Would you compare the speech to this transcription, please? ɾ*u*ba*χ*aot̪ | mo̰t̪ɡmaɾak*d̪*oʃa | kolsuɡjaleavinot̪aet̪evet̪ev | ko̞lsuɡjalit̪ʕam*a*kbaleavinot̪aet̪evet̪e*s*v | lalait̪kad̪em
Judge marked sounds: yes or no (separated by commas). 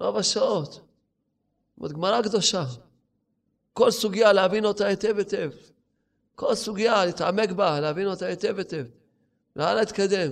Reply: no, no, yes, no, no